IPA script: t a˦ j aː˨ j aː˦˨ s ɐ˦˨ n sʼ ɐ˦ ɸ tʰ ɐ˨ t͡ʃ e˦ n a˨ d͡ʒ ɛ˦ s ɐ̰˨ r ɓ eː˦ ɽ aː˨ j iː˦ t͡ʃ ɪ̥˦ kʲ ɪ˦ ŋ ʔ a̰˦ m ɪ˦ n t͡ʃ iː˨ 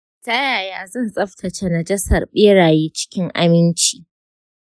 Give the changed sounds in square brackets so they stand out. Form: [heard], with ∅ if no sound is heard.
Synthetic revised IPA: t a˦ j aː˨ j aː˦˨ [z] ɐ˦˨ n sʼ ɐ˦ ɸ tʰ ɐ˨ t͡ʃ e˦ n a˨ d͡ʒ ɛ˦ s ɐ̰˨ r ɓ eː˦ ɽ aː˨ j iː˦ t͡ʃ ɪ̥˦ kʲ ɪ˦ ŋ ʔ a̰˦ m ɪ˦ n t͡ʃ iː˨